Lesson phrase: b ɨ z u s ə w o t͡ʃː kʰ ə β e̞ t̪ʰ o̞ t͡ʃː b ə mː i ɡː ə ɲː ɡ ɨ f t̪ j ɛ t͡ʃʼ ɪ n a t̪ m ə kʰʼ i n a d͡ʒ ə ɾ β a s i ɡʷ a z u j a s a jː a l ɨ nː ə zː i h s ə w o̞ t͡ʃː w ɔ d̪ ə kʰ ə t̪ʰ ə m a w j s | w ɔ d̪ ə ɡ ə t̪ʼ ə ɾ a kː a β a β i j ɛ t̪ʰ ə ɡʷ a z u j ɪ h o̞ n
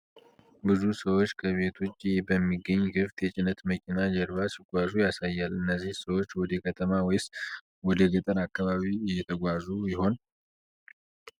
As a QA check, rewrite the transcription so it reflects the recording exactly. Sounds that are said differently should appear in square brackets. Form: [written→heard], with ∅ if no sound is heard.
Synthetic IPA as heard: b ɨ z u s ə w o t͡ʃː kʰ ə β e̞ t̪ʰ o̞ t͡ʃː b ə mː i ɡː ə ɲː ɡ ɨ f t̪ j ɛ t͡ʃʼ ɪ n [a→ə] t̪ m ə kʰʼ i n a d͡ʒ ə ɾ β a s i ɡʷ a z u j a s a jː a l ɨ nː ə zː i h s ə w o̞ t͡ʃː w ɔ d̪ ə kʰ ə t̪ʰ ə m a w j s | w ɔ d̪ ə ɡ ə t̪ʼ ə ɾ a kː a β a β i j ɛ t̪ʰ ə ɡʷ a z u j ɪ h o̞ n